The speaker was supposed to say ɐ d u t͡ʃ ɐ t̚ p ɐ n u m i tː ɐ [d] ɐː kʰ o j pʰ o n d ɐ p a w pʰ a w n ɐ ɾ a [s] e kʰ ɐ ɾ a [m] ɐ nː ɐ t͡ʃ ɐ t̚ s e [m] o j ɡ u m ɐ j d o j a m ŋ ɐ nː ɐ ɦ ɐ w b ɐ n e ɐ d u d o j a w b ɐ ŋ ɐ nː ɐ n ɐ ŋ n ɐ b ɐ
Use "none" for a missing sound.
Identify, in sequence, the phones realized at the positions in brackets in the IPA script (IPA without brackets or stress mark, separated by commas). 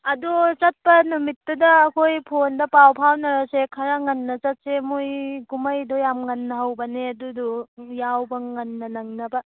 d, s, ŋ, m